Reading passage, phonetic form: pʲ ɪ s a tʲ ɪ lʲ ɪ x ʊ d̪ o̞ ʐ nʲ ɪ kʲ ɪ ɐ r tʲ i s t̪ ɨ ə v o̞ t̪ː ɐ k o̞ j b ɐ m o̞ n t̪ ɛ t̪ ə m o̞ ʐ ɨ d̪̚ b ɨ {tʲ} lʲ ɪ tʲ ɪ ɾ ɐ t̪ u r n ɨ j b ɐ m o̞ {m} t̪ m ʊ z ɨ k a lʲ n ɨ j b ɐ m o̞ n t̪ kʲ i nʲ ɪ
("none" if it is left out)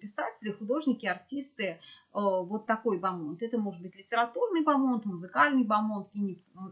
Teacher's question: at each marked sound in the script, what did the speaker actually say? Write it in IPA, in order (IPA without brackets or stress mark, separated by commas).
tʲ, n